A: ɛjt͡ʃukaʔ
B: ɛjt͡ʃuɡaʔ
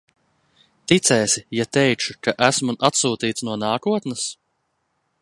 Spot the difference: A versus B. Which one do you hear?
A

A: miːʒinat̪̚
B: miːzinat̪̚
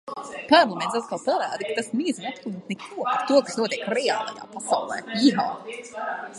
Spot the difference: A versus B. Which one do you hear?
B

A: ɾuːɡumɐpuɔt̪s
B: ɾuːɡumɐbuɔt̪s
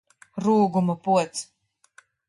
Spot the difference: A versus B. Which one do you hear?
A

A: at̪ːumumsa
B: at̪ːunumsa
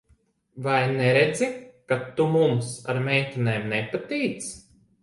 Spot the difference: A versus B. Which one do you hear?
A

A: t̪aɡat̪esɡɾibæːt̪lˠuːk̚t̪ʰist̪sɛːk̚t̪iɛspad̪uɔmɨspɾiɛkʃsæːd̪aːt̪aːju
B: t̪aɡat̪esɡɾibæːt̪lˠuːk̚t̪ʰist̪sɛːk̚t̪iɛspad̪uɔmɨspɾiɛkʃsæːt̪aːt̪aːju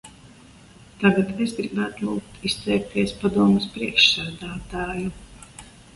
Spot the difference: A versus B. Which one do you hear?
A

